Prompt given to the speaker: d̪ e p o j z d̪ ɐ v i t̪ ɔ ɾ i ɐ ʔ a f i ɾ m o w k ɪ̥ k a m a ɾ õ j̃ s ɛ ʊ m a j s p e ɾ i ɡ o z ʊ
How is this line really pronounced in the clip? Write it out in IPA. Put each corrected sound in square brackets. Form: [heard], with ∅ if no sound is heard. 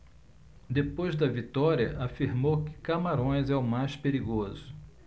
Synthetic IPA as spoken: d̪ e p o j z d̪ ɐ v i t̪ ɔ ɾ i ɐ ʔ a f i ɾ m o w k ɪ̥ k a m a ɾ õ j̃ [z] ɛ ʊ m a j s p e ɾ i ɡ o z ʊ